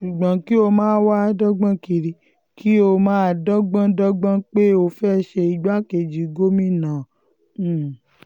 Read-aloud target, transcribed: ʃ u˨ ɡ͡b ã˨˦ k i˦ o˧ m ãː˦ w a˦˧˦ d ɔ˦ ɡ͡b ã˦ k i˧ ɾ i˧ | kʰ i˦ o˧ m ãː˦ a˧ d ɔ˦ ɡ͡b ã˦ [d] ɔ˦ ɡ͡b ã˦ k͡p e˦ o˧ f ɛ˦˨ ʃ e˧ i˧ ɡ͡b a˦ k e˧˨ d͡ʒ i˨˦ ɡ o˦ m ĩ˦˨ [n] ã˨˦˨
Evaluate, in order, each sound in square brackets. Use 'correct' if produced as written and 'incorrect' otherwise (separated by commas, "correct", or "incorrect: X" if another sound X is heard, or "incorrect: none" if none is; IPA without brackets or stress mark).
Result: correct, correct